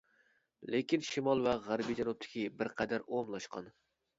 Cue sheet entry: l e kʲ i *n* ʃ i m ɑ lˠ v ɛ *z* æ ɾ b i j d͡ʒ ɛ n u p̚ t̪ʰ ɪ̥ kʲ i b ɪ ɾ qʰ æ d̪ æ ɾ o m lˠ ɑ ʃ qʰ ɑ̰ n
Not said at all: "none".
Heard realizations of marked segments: n, ʁ

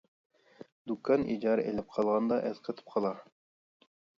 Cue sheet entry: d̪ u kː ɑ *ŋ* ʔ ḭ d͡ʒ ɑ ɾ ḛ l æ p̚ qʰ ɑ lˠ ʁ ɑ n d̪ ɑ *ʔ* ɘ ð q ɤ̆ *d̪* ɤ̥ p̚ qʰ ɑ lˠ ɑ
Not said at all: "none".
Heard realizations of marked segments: n, ʔ, t̪

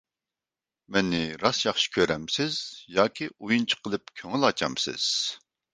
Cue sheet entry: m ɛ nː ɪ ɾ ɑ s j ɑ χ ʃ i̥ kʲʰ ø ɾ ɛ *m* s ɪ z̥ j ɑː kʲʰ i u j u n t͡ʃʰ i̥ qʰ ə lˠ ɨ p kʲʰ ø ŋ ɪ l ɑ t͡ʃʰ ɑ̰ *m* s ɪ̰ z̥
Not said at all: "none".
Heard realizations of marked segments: m, m

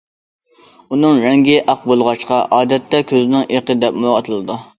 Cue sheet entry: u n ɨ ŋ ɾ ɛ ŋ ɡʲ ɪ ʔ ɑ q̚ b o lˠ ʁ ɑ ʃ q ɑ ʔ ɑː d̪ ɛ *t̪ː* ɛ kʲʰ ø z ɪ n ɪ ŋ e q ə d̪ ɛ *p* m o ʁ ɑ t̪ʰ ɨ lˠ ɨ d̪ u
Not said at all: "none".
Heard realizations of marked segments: t̪ː, p

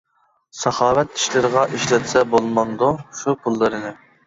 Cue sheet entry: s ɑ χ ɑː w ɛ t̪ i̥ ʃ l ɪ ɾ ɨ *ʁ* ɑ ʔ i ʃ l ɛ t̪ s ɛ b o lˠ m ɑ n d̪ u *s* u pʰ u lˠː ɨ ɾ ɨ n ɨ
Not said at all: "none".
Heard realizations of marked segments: ʁ, ʃ

